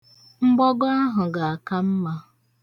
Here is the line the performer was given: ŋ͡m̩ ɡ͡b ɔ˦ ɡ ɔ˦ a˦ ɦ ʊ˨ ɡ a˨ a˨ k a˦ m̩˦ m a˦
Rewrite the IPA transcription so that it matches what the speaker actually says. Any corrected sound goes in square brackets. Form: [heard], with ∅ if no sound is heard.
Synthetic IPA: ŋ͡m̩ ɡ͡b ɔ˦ ɡ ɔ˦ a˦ ɦ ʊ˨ ɡ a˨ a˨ k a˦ m̩˦ m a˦